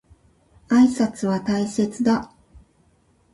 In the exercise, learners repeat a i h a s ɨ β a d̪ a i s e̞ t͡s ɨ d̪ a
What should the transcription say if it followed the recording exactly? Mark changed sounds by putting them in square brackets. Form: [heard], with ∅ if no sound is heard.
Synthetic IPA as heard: a i [s] a [t͡s] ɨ β a [t̪] a i s e̞ t͡s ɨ d̪ a